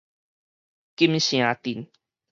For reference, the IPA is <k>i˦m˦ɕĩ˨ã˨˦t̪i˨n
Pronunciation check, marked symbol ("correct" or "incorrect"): correct